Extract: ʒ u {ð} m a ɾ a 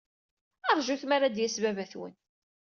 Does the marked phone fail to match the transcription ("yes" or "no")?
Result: yes